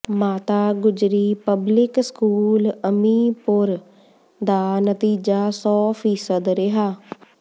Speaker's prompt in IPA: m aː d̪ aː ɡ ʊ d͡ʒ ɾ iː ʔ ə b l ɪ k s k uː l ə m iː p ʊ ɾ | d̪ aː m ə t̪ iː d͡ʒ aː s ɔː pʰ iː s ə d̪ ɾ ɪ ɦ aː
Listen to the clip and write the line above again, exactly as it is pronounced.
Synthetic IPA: m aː t̪ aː ɡ ʊ d͡ʒ ɾ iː p ə b l ɪ k s k uː l ə m iː p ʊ ɾ | d̪ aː n ə t̪ iː d͡ʒ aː s ɔː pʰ iː s ə d̪ ɾ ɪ ɦ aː